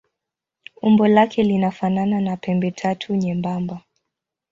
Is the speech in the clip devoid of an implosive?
yes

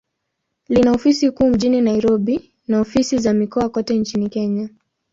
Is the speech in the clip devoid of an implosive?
no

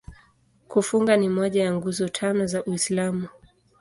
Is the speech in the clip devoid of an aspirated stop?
no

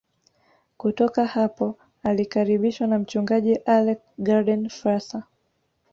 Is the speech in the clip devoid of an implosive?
no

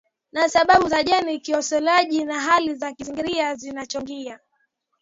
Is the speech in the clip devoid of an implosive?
no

